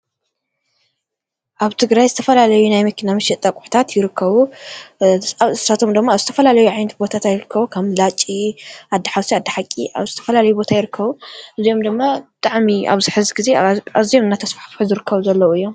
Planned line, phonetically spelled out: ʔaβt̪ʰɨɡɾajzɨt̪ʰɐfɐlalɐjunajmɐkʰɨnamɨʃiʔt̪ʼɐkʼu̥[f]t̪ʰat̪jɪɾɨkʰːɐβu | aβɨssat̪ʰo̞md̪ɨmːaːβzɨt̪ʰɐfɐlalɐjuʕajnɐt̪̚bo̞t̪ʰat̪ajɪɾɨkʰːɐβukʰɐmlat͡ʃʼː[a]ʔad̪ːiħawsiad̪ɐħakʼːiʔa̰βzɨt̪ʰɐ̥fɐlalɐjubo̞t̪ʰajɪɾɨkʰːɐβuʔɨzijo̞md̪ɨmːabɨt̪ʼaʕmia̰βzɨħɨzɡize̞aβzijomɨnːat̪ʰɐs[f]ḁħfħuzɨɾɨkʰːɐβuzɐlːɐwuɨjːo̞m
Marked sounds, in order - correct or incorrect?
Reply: incorrect, incorrect, correct

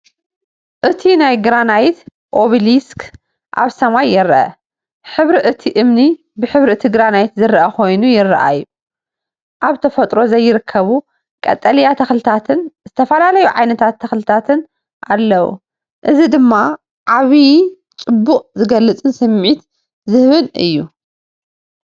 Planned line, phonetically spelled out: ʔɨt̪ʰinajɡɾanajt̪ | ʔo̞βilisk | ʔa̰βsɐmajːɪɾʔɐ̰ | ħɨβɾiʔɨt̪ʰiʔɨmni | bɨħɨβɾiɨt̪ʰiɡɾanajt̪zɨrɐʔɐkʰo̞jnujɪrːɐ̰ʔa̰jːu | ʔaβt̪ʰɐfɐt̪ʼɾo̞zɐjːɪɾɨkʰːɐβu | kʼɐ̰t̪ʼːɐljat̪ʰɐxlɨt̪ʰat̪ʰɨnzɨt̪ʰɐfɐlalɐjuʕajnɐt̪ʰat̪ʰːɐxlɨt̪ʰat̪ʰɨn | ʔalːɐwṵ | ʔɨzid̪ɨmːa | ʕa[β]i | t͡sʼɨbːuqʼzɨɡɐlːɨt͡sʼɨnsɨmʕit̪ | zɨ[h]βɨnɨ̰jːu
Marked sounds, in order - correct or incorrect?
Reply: correct, correct

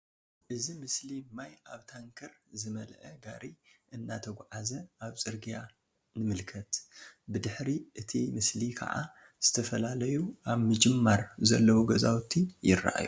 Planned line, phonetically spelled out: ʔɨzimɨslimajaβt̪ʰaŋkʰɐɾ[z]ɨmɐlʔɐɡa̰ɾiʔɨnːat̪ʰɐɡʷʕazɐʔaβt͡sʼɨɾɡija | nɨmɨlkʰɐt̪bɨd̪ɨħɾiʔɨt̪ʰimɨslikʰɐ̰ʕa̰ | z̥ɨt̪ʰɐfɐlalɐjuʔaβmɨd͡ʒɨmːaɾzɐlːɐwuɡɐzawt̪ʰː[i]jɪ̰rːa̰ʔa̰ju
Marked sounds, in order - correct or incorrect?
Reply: correct, correct

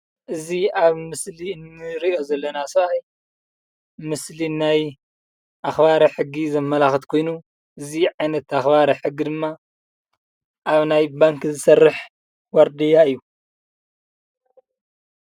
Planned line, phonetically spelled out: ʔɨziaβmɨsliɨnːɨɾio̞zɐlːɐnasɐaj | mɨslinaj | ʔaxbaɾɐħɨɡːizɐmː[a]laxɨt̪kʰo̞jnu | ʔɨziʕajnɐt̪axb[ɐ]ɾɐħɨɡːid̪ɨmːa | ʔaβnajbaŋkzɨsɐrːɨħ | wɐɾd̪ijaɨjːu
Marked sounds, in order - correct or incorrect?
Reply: incorrect, incorrect

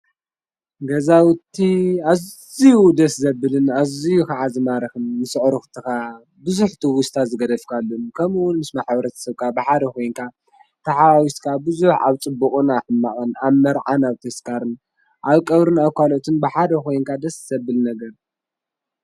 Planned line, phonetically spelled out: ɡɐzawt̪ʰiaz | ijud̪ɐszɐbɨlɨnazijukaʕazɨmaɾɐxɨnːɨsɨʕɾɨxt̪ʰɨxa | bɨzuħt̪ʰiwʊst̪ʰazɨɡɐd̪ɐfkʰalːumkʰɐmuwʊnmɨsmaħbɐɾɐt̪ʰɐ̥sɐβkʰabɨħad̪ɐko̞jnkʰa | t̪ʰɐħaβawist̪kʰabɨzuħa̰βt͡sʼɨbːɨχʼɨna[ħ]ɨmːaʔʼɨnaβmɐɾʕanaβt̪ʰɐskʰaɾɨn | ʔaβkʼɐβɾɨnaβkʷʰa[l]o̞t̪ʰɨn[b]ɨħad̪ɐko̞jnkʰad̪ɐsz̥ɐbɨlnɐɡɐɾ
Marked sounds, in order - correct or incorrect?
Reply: correct, correct, correct

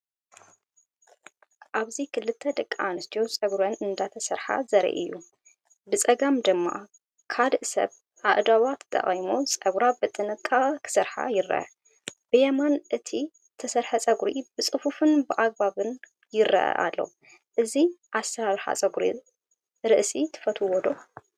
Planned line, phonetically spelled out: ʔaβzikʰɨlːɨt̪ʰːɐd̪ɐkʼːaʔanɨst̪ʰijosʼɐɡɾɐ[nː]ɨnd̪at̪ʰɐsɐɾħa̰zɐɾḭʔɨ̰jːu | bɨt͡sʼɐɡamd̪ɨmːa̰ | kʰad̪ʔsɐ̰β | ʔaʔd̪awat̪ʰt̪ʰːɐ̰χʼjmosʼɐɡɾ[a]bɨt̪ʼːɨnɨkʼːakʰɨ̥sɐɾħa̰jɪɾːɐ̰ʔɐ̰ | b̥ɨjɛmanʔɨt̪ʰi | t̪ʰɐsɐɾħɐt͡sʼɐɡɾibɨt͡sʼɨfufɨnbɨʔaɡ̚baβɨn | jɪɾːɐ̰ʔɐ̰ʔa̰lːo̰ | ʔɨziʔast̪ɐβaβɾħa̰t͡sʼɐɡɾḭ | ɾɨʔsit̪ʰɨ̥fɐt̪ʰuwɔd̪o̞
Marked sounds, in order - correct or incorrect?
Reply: incorrect, correct

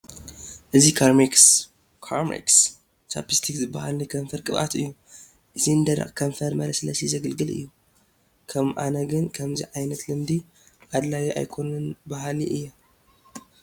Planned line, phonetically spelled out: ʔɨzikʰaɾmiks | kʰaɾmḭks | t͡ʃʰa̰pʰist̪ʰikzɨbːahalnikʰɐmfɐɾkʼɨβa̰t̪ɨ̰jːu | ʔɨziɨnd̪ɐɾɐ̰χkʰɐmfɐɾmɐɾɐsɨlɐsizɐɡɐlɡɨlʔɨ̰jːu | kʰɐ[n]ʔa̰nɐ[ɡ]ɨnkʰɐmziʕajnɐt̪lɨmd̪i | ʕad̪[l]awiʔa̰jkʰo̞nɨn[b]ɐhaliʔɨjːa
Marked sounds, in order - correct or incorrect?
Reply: incorrect, correct, correct, correct

